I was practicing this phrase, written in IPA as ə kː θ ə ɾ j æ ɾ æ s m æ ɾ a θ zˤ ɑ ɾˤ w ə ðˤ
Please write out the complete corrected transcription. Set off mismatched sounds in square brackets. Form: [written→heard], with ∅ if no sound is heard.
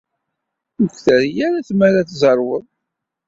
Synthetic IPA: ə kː θ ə ɾ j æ ɾ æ [s→θ] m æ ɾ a θ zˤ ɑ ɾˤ w ə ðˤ